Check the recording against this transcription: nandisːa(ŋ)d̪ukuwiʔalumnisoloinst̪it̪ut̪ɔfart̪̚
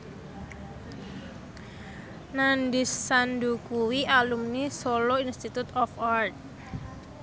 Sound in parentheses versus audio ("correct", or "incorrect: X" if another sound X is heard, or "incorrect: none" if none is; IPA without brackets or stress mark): incorrect: n